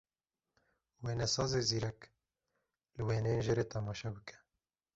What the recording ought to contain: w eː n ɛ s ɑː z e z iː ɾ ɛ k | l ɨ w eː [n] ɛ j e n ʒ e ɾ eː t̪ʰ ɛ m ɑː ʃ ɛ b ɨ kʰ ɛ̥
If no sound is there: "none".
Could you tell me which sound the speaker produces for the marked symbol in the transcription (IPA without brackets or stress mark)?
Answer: n